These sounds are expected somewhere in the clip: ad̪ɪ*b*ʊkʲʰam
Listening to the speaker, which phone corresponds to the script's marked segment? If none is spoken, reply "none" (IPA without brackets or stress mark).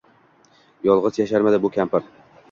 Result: b